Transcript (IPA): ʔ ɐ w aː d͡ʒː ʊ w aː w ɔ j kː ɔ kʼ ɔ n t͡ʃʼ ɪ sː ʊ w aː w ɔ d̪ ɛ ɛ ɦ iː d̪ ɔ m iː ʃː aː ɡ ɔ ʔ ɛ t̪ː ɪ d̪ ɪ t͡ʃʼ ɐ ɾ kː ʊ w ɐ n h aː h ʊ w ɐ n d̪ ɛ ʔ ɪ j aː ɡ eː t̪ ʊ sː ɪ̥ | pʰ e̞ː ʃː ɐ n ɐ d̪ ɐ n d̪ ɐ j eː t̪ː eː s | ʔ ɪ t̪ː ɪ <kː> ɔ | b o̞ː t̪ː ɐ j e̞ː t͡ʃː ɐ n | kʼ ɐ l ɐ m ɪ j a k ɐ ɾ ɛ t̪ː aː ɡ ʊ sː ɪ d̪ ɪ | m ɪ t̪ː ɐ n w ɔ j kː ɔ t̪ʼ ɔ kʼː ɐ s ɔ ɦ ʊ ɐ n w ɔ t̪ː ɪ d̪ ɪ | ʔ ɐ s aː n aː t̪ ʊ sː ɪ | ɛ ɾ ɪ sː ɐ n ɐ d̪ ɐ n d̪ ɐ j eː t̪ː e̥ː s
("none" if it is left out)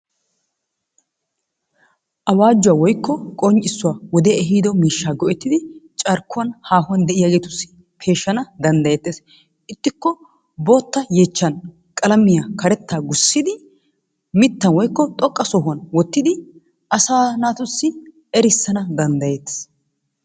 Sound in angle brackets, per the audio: kː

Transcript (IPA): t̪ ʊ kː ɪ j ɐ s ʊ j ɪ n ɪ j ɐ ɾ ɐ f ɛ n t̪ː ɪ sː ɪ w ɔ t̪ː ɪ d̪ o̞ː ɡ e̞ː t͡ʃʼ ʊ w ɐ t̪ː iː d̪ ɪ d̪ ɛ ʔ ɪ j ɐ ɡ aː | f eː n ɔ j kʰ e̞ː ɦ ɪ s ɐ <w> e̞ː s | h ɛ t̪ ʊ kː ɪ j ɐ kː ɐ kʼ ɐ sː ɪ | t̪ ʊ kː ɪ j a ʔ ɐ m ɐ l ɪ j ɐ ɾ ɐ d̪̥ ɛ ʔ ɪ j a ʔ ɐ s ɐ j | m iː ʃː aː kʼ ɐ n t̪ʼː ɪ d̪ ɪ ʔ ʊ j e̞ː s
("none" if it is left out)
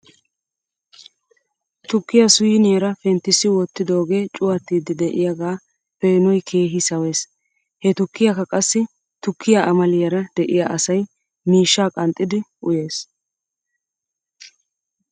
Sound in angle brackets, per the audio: w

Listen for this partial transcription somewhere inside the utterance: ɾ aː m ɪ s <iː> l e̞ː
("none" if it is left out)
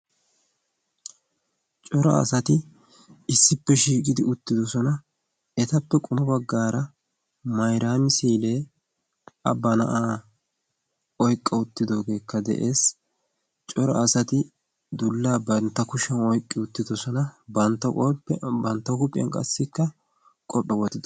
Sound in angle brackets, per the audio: iː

